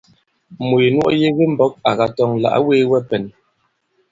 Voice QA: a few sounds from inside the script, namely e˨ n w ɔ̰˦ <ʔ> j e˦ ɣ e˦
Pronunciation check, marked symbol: correct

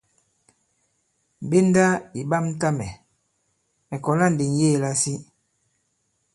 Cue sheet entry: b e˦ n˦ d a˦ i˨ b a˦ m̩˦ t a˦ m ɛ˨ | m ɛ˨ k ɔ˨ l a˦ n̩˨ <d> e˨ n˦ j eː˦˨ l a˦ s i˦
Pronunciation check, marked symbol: correct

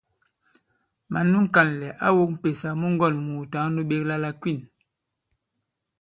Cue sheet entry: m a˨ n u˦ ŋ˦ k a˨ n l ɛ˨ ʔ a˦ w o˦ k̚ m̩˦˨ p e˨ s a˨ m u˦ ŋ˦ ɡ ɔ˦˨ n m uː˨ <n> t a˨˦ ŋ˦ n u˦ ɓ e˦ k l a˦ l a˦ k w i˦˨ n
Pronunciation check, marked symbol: incorrect: none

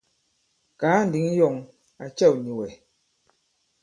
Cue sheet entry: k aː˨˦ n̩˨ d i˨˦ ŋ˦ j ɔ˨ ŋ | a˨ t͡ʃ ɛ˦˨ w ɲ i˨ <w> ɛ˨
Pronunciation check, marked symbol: correct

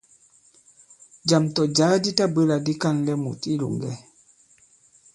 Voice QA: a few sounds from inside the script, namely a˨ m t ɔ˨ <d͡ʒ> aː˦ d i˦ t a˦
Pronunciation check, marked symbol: correct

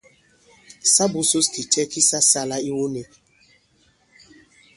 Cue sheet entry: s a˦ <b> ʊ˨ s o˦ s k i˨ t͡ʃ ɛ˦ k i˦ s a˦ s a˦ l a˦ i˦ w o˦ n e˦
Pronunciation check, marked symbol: correct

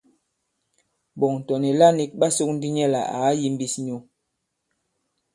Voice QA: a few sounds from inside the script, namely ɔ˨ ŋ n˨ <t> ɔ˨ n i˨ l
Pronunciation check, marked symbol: correct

